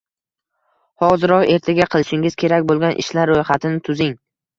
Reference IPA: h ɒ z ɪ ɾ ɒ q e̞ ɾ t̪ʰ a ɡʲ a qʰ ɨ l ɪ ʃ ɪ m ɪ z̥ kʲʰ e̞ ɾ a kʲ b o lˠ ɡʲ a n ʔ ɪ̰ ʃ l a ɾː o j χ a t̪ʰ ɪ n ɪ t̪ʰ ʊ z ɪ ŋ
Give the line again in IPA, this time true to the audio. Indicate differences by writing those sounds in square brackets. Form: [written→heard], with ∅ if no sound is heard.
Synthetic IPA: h ɒ z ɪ ɾ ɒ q e̞ ɾ t̪ʰ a ɡʲ a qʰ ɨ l ɪ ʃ ɪ [m→ŋ] ɪ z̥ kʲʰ e̞ ɾ a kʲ b o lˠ ɡʲ a n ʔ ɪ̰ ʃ l a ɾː o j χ a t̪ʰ ɪ n ɪ t̪ʰ ʊ z ɪ ŋ

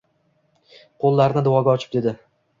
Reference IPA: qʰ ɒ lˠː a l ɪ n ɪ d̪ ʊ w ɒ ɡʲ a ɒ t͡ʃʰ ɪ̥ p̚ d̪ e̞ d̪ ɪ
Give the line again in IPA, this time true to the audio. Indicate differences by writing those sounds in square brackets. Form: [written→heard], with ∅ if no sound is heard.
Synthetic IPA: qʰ [ɒ→o] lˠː a [l→ɾ] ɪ n ɪ d̪ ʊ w ɒ ɡʲ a ɒ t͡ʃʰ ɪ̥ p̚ d̪ e̞ d̪ ɪ

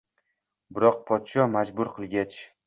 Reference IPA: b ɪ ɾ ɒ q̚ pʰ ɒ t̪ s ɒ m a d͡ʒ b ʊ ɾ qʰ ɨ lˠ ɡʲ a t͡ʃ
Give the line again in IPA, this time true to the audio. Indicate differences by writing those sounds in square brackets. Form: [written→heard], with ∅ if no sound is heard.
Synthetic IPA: b ɪ ɾ ɒ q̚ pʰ ɒ t̪ [s→ʃ] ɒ m a d͡ʒ b ʊ ɾ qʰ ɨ lˠ ɡʲ a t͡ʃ

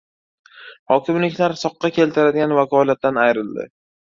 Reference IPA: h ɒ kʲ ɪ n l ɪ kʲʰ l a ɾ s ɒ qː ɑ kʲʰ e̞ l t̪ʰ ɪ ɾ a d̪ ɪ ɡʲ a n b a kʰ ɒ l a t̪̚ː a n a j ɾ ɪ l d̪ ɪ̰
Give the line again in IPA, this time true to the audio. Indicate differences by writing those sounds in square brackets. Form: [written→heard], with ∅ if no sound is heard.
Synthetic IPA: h ɒ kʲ ɪ [n→m] l ɪ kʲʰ l a ɾ s ɒ qː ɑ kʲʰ e̞ l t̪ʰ ɪ ɾ a d̪ ɪ ɡʲ a n [b→v] a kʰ ɒ l a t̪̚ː a n a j ɾ ɪ l d̪ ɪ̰

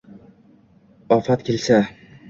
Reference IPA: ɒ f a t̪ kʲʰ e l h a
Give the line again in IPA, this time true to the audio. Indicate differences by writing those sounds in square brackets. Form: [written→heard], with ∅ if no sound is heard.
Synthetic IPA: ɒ f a t̪ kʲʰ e l [h→s] a

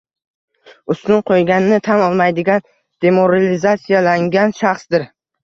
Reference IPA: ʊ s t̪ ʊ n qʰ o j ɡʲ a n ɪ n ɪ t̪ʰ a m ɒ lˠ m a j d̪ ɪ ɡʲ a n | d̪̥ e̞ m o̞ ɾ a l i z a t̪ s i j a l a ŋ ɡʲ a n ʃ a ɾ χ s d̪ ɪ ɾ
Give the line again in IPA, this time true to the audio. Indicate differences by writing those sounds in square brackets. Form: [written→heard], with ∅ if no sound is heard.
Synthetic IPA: ʊ s t̪ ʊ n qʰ o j ɡʲ a n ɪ n ɪ t̪ʰ a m ɒ lˠ m a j d̪ ɪ ɡʲ a n | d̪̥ e̞ m o̞ ɾ a l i z a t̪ s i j a l a ŋ ɡʲ a n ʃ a [ɾ→∅] χ s d̪ ɪ ɾ

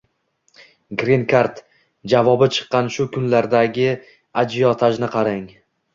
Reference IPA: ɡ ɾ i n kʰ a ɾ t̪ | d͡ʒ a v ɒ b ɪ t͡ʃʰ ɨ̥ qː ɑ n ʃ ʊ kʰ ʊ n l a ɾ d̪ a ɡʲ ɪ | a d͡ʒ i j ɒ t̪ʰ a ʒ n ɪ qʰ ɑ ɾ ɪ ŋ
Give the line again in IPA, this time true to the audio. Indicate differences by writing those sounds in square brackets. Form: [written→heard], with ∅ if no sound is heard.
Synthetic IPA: ɡ ɾ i n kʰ a ɾ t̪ | d͡ʒ a v ɒ b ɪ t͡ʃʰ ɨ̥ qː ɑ n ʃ ʊ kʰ ʊ n l a ɾ d̪ a ɡʲ ɪ | a d͡ʒ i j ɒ t̪ʰ a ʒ n ɪ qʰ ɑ ɾ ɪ ŋ

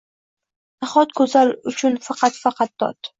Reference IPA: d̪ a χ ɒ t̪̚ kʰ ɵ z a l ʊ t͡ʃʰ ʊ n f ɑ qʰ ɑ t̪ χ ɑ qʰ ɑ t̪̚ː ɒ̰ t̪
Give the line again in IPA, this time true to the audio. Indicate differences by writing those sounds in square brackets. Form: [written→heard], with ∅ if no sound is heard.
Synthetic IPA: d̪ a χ ɒ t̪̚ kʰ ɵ z a l ʊ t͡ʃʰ ʊ n f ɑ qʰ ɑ t̪ [χ→f] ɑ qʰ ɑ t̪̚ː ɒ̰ t̪

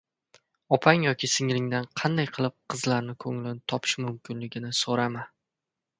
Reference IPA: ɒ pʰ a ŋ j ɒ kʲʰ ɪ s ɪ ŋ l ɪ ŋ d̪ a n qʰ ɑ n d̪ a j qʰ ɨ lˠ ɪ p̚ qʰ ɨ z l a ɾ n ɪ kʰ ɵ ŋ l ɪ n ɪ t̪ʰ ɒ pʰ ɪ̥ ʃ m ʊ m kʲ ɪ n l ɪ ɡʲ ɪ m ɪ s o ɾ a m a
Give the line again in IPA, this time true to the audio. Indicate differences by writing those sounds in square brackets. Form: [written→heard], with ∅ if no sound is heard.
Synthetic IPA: ɒ pʰ a ŋ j ɒ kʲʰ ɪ s ɪ ŋ l ɪ ŋ d̪ a n qʰ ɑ n d̪ a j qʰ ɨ lˠ ɪ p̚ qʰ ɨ z l a ɾ n ɪ kʰ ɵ ŋ l ɪ n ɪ t̪ʰ ɒ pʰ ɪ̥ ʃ m ʊ m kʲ ɪ n l ɪ ɡʲ ɪ [m→n] ɪ s o ɾ a m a

